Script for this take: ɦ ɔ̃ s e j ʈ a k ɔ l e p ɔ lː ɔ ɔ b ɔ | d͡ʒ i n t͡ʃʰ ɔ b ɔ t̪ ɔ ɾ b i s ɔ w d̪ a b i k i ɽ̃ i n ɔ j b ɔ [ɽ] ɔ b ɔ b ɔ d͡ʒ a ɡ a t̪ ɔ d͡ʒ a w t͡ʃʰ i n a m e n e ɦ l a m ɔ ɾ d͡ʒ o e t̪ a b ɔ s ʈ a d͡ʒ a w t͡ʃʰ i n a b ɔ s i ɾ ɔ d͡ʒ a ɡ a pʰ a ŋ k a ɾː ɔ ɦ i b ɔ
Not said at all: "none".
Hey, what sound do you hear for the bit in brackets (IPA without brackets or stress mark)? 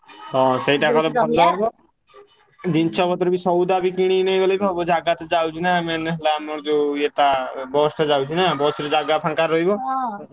l